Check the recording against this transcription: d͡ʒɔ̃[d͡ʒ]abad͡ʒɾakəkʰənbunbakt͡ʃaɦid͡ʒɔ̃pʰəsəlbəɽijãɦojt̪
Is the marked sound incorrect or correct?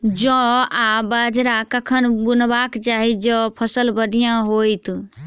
incorrect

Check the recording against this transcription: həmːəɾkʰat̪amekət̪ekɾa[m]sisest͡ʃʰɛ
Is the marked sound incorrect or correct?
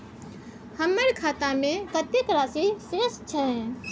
incorrect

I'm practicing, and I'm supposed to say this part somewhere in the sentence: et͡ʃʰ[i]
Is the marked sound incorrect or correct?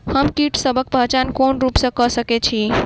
correct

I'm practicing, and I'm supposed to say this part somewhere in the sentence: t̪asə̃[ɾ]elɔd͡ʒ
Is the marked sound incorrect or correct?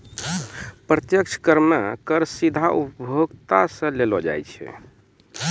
incorrect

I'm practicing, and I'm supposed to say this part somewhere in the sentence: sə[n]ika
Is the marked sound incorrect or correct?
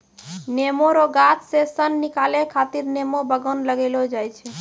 incorrect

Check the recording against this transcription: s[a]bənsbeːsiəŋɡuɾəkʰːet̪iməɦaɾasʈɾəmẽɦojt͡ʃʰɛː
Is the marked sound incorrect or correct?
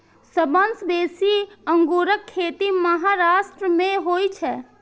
incorrect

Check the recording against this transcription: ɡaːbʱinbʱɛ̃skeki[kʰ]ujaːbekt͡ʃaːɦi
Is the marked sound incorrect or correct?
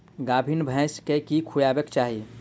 correct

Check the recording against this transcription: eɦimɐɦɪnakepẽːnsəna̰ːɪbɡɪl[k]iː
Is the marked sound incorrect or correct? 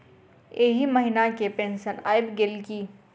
correct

